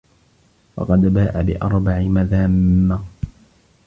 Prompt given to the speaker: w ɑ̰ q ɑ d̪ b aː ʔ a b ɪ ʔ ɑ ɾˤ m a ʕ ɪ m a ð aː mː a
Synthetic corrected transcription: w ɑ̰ q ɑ d̪ b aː ʔ a b ɪ ʔ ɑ ɾˤ b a ʕ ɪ m a ð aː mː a